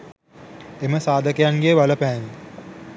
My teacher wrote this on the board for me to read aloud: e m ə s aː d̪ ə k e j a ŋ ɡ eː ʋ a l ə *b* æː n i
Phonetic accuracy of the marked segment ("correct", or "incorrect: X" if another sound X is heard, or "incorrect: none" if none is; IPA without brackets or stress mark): incorrect: p